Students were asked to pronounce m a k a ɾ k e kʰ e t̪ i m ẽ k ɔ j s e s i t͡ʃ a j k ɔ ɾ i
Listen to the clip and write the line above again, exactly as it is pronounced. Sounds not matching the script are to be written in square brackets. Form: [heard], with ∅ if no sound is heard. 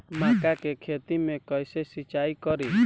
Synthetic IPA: m a k a [∅] k e kʰ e t̪ i m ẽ k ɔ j s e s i t͡ʃ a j k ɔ ɾ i